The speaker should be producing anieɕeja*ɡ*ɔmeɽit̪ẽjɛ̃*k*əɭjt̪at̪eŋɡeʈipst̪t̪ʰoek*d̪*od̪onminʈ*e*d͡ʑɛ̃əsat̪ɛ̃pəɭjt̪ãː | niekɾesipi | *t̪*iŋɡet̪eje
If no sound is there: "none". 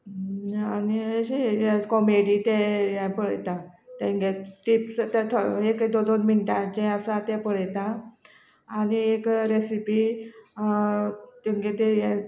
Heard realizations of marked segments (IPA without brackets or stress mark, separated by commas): k, p, d̪, a, t̪